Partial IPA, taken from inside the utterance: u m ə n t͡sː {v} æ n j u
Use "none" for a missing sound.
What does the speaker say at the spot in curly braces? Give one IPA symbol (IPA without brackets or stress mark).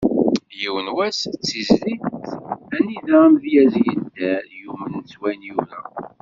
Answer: w